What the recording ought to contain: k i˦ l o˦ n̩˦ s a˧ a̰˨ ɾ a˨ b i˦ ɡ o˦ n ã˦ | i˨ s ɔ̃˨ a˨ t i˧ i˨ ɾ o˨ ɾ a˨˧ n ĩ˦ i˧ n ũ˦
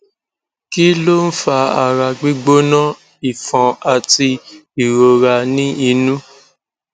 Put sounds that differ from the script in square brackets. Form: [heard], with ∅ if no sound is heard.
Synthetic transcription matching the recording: k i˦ l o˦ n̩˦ [f] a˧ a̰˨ ɾ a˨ [ɡ͡b] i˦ [ɡ͡b] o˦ n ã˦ | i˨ [f] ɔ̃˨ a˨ t i˧ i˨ ɾ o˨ ɾ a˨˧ n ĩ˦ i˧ n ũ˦